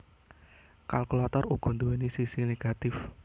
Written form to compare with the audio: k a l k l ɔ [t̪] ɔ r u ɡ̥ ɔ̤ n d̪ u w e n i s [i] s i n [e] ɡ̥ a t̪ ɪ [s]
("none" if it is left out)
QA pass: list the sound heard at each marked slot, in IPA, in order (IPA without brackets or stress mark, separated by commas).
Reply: t̪, i, e, f